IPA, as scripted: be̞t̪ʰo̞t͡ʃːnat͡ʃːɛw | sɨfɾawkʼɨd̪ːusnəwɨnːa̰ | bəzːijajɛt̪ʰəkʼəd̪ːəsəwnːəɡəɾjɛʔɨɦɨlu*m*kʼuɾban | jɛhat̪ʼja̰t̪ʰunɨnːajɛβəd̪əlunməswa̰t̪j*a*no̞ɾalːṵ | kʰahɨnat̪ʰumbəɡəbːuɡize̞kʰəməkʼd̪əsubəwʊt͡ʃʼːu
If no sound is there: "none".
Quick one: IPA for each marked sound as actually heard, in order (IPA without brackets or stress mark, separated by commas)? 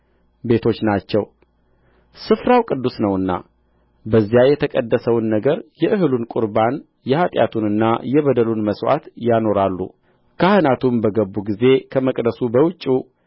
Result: n, a